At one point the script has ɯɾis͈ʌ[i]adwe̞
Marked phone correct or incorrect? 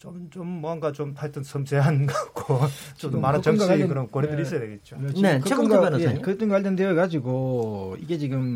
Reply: incorrect